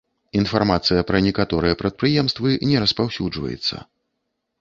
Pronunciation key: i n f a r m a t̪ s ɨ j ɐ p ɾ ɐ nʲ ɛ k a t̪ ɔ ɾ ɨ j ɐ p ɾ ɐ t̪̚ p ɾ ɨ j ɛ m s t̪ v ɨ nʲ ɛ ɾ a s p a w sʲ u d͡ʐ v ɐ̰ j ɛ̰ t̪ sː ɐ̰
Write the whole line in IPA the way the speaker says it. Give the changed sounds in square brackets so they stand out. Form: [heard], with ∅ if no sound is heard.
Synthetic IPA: i n f a r m a t̪ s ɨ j ɐ p ɾ ɐ nʲ ɛ k a t̪ ɔ ɾ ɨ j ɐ p ɾ ɐ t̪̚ p ɾ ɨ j ɛ m s t̪ v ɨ nʲ ɛ ɾ [ɐ] s p a w sʲ u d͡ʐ v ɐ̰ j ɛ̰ t̪ sː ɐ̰